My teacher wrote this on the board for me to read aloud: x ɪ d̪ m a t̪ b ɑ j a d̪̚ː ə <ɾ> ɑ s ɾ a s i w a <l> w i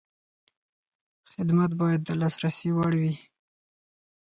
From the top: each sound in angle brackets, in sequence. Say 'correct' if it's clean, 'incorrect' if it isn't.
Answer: incorrect, incorrect

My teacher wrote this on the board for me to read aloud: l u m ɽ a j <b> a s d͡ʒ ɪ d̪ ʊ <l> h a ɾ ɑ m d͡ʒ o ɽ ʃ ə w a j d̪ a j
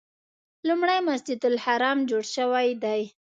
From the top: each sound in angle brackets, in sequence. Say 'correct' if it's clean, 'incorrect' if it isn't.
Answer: incorrect, correct

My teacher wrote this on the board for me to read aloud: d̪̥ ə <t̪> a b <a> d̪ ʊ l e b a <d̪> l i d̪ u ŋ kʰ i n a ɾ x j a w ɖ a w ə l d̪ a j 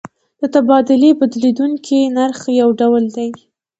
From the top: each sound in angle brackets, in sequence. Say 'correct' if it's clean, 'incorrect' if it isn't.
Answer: correct, incorrect, correct

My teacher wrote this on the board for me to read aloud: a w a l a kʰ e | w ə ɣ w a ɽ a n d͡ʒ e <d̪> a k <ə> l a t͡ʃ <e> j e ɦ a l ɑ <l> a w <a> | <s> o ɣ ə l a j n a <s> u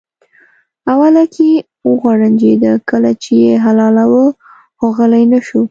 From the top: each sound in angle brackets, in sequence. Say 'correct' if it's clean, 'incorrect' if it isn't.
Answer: correct, correct, correct, correct, incorrect, incorrect, incorrect

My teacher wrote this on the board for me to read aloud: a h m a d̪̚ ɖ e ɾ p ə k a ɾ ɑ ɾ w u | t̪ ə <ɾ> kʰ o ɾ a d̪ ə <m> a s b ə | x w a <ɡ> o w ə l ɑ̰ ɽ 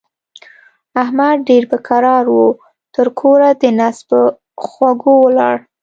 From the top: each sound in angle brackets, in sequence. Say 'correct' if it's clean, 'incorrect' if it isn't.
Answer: correct, incorrect, correct

